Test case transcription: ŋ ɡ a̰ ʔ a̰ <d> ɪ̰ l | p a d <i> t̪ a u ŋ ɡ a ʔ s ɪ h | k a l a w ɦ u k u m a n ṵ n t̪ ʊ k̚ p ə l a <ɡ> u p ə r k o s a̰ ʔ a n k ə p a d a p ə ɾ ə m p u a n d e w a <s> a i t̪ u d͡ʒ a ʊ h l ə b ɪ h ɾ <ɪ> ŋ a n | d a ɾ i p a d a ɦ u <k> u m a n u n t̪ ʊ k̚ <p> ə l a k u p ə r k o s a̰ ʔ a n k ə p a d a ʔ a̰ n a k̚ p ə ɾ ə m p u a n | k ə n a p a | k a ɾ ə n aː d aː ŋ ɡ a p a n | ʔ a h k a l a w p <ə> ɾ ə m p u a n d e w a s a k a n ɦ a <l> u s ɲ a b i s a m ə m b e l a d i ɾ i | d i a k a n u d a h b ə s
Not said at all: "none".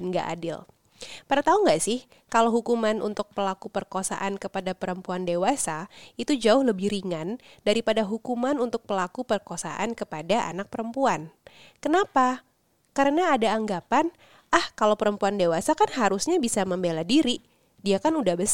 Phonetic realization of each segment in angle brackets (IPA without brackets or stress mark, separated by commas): d, a, k, s, i, k, p, ə, ɾ